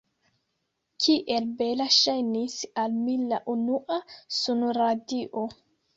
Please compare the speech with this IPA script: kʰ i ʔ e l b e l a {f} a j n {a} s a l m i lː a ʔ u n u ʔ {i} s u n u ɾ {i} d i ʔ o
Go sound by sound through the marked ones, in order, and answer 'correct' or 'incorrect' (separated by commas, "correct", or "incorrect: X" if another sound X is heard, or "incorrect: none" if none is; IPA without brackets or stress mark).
incorrect: ʃ, incorrect: i, incorrect: a, incorrect: a